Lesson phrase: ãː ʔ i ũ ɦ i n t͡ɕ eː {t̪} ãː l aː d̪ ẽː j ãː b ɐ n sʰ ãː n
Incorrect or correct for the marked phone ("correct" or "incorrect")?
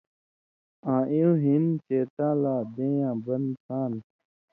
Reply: correct